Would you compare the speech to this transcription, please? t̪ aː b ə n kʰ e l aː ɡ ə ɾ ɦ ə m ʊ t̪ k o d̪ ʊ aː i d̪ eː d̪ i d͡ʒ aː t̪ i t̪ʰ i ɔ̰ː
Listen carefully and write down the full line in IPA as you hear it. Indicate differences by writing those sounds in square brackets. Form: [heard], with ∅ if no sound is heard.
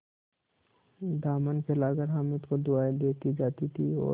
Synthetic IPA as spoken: [d̪] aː [m] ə n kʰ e l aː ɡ ə ɾ ɦ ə m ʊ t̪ k o d̪ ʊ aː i d̪ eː [t̪] i d͡ʒ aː t̪ i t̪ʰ i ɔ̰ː